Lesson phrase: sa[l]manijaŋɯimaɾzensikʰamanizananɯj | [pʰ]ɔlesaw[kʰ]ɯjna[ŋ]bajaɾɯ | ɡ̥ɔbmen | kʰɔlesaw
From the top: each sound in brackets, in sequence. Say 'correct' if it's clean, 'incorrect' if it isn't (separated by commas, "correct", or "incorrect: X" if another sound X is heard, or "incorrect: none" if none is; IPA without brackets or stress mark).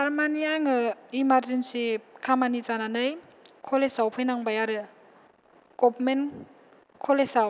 incorrect: ɾ, incorrect: kʰ, incorrect: pʰ, correct